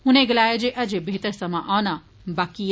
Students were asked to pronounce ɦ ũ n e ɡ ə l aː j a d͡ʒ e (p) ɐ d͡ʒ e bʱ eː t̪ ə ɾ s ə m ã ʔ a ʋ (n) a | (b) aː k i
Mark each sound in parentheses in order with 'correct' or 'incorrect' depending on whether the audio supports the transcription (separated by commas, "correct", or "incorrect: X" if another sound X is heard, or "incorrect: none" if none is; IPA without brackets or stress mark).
incorrect: ʔ, correct, correct